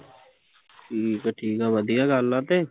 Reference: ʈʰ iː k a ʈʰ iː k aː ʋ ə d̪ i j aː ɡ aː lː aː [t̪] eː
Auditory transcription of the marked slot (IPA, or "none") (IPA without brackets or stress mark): t̪